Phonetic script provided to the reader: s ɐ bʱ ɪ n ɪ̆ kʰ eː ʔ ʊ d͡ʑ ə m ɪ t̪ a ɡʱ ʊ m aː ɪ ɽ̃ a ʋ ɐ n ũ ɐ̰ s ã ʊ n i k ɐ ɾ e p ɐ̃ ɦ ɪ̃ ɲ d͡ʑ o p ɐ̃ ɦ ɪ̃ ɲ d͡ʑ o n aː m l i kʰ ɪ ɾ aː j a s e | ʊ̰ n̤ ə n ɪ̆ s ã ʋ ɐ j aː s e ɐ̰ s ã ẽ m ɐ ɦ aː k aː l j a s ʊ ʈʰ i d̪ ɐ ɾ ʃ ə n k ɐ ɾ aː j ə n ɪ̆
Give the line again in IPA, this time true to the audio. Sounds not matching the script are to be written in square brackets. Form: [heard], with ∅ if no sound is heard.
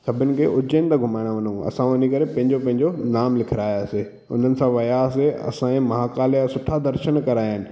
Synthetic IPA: s ɐ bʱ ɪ n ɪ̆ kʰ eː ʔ ʊ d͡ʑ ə [n] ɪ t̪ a ɡʱ ʊ m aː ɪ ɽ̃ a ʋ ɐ n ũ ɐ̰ s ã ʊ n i k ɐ ɾ e p ɐ̃ ɦ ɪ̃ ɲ d͡ʑ o p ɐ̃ ɦ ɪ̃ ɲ d͡ʑ o n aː m l [ɪ] kʰ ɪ ɾ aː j a s e | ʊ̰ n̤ ə n ɪ̆ s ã ʋ ɐ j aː s e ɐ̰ s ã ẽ m ɐ ɦ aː k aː l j a s ʊ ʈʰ [a] d̪ ɐ ɾ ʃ ə n k ɐ ɾ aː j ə n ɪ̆